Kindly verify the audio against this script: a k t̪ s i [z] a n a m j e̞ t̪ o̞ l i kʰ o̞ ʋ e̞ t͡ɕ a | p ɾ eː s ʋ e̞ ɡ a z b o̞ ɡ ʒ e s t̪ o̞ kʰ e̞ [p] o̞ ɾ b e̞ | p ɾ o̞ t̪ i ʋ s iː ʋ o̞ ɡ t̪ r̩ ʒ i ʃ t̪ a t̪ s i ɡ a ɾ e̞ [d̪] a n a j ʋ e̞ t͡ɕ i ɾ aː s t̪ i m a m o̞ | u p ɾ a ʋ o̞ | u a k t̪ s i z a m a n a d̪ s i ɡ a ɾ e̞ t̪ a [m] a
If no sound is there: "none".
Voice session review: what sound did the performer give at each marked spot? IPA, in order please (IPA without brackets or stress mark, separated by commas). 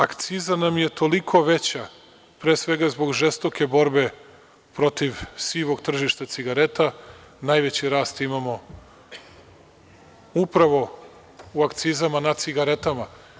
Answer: z, b, t̪, m